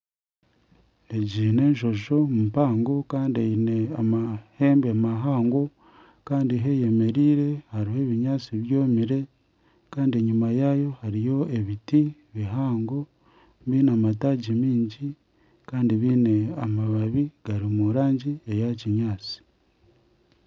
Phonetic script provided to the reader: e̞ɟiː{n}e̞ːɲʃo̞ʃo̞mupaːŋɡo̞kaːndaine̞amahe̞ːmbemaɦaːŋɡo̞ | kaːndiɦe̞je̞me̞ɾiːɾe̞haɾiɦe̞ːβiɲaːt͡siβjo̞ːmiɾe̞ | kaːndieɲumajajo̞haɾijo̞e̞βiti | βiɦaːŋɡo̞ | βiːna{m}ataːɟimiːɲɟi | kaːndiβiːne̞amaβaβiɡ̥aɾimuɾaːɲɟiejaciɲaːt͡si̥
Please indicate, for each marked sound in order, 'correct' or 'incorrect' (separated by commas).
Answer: correct, correct